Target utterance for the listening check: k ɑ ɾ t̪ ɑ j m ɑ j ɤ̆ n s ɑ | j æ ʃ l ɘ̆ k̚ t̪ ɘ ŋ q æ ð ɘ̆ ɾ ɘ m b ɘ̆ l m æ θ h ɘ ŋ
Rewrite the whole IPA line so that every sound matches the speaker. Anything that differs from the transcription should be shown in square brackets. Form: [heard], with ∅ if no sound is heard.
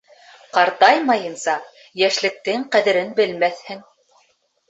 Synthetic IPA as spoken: [q] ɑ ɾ t̪ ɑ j m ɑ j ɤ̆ n s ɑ | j æ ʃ l ɘ̆ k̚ t̪ ɘ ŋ q æ ð ɘ̆ ɾ ɘ [n] b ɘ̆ l m æ θ h ɘ ŋ